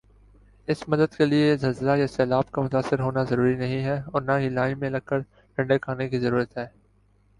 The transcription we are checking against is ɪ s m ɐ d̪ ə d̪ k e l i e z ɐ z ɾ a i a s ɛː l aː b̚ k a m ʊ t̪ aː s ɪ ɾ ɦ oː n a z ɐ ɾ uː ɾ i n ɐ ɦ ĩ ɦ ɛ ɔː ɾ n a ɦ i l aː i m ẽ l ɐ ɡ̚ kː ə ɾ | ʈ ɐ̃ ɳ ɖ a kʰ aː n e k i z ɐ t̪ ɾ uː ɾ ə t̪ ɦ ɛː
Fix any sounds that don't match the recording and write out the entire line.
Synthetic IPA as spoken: ɪ s m ɐ d̪ ə d̪ k e l i e z ɐ z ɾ a j a s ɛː l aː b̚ k a m ʊ t̪ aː s ɪ ɾ ɦ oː n a z ɐ ɾ uː ɾ i n ɐ ɦ ĩ ɦ ɛ ɔː ɾ n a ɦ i l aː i m ẽ l ɐ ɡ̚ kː ə ɾ | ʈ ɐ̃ ɳ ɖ e kʰ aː n e k i z ɐ ɾ uː ɾ ə t̪ ɦ ɛː